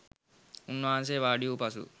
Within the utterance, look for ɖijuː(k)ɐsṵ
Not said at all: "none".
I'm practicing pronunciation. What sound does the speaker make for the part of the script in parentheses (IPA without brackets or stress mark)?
p